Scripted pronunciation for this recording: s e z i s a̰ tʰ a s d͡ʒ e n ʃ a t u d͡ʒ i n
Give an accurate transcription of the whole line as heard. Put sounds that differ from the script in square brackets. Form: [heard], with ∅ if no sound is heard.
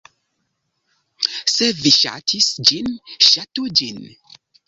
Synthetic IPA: s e [v] i [ʃ] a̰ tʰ [i] s d͡ʒ [i] n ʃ a t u d͡ʒ i n